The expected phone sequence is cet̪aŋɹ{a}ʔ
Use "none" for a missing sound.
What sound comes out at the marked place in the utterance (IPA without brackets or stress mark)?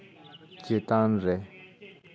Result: e